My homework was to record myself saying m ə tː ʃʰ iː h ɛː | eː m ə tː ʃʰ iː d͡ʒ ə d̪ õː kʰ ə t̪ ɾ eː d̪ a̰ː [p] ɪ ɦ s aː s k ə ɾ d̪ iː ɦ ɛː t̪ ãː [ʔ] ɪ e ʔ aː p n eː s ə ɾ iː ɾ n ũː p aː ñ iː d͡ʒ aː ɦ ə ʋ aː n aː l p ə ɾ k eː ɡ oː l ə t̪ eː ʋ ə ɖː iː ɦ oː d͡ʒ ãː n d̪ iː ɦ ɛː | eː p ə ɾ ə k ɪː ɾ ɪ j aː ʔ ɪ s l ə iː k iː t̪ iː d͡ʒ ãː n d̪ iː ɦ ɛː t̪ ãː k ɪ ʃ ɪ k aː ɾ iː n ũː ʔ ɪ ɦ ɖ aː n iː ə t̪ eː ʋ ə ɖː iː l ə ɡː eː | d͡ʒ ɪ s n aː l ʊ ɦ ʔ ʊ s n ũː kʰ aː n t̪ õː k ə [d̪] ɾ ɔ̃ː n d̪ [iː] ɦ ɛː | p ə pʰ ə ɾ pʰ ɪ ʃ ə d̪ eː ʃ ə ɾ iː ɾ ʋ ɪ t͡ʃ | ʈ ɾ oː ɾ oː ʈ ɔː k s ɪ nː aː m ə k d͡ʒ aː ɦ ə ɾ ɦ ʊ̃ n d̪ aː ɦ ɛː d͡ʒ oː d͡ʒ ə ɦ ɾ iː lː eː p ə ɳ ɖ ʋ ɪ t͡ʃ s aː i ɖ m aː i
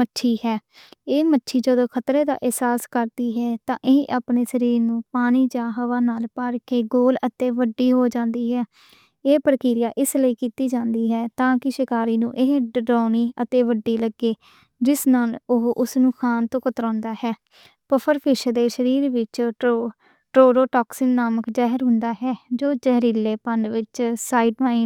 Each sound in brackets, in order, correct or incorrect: incorrect: ʔ, correct, incorrect: t̪, incorrect: aː

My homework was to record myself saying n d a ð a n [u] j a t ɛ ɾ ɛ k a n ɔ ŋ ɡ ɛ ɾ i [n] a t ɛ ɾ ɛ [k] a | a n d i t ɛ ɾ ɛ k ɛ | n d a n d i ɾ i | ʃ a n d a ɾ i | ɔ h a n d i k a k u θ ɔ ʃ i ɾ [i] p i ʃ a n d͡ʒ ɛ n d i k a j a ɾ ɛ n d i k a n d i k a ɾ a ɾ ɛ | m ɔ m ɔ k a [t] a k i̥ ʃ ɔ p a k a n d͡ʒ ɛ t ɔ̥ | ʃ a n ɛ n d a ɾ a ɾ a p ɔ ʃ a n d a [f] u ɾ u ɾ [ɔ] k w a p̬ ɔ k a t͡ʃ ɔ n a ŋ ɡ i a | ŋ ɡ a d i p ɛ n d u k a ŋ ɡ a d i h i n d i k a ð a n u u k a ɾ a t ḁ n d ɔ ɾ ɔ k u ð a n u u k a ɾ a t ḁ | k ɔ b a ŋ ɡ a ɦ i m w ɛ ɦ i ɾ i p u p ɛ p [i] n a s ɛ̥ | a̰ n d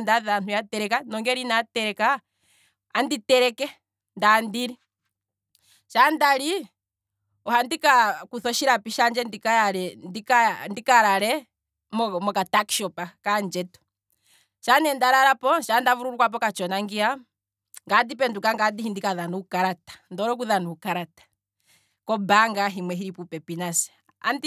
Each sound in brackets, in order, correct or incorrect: correct, correct, correct, incorrect: a, correct, incorrect: v, incorrect: u, correct

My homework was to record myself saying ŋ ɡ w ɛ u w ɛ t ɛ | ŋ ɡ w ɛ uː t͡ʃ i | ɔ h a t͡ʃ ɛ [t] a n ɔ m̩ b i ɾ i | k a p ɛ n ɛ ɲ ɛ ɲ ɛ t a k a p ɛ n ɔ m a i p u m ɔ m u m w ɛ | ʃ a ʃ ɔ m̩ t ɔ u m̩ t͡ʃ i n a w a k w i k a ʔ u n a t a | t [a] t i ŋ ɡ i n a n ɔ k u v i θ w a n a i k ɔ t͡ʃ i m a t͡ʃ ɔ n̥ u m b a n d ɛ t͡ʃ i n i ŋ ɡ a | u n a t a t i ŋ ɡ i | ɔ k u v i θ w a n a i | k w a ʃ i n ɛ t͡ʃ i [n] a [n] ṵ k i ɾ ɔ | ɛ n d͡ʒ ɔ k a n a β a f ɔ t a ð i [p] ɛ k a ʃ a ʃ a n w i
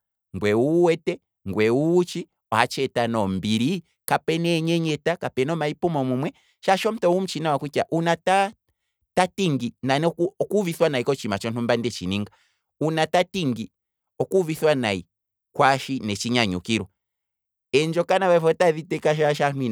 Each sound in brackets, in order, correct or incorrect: correct, correct, incorrect: ɲ, incorrect: ɲ, incorrect: t

